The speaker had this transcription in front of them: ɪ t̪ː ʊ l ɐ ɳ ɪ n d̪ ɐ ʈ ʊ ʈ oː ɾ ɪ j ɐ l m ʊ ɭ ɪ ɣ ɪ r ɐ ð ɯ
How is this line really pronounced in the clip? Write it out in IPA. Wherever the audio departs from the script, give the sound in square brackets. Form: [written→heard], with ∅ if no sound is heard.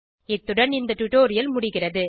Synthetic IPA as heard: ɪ t̪ː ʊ [l→ɽ] ɐ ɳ ɪ n d̪ ɐ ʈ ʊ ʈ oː ɾ ɪ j ɐ l m ʊ [ɭ→ɽ] ɪ ɣ ɪ r ɐ ð ɯ

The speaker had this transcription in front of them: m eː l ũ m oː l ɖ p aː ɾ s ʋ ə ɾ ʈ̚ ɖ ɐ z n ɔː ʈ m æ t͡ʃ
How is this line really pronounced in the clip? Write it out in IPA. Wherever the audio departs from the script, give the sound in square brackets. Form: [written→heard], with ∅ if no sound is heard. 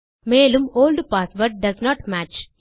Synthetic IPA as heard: m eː l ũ m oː l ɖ p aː [ɾ→∅] s ʋ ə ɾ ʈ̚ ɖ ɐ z n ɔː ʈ m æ t͡ʃ

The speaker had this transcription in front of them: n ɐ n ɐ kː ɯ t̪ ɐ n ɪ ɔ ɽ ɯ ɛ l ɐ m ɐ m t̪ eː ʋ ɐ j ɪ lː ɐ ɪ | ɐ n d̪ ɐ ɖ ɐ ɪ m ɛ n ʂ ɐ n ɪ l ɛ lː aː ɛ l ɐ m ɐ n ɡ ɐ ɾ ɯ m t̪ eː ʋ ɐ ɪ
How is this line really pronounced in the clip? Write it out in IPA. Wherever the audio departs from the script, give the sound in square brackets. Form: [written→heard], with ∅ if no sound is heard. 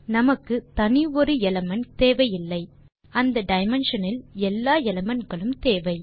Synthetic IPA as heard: n ɐ [n→m] ɐ kː ɯ t̪ ɐ n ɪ ɔ [ɽ→ɾ] ɯ ɛ l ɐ m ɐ [m→n] t̪ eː ʋ ɐ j ɪ lː ɐ ɪ | ɐ n d̪ ɐ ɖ ɐ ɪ m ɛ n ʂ ɐ n ɪ l ɛ lː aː ɛ l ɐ m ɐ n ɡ ɐ [ɾ→ɭ] ɯ m t̪ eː ʋ ɐ ɪ

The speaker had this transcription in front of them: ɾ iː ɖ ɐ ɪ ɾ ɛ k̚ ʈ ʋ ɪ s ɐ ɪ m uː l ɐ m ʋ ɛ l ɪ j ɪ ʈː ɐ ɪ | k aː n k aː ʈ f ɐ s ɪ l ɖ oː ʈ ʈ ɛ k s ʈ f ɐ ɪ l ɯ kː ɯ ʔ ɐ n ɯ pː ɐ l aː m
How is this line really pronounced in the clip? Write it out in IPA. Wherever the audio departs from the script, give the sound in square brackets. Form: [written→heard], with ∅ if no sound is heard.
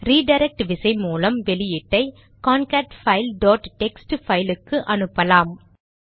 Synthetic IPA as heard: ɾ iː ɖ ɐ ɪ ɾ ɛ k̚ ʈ ʋ ɪ s ɐ ɪ m uː l ɐ m ʋ ɛ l ɪ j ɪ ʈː ɐ ɪ | k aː n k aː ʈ f ɐ [s→∅] ɪ l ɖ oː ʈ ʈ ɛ k s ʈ f ɐ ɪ l ɯ kː ɯ ʔ ɐ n ɯ pː ɐ l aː m

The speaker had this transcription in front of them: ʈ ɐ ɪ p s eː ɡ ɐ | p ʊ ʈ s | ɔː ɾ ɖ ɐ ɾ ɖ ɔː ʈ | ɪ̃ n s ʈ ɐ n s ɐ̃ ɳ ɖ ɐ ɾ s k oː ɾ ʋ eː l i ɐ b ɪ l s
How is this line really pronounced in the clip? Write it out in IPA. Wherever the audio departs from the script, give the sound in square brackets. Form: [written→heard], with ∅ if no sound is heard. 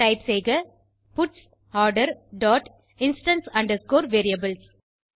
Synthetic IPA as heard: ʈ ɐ ɪ p s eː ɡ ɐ | p ʊ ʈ s | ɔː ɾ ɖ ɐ ɾ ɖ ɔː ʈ | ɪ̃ n s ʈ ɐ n s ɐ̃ ɳ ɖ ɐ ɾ s k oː ɾ ʋ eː [l→ɾ] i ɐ b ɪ l s

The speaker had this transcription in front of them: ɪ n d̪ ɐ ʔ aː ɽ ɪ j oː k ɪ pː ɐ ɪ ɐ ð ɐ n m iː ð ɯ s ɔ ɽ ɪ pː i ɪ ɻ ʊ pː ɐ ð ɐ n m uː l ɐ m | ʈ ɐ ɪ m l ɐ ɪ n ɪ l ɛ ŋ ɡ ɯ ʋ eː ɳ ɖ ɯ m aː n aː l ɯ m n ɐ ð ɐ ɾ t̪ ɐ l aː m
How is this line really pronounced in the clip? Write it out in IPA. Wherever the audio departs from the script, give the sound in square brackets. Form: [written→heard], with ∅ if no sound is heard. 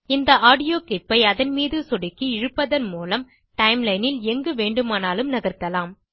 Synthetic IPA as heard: ɪ n d̪ ɐ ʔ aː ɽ ɪ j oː k ɪ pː ɐ ɪ ɐ ð ɐ n m iː ð ɯ s ɔ ɽ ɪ [pː→kː] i ɪ ɻ [ʊ→ɯ] pː ɐ ð ɐ n m uː l ɐ m | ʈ ɐ ɪ m l ɐ ɪ n ɪ l ɛ ŋ ɡ ɯ ʋ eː ɳ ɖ ɯ m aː n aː l ɯ m n ɐ [ð→ɣ] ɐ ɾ t̪ ɐ l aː m

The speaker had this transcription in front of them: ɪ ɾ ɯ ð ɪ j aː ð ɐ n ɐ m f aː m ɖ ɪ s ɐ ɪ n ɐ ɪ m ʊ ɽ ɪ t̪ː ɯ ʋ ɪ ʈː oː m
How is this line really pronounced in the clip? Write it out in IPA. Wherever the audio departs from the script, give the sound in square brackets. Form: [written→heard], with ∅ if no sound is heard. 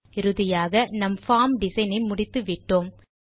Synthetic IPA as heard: ɪ ɾ ɯ ð ɪ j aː [ð→ɣ] ɐ n ɐ m f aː m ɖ ɪ s ɐ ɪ n ɐ ɪ m ʊ ɽ ɪ t̪ː ɯ ʋ ɪ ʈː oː m

